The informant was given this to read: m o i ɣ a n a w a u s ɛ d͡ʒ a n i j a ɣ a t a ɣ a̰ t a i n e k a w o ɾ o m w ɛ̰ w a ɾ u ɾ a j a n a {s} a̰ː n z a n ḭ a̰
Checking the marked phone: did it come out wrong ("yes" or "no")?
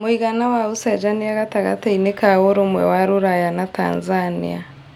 yes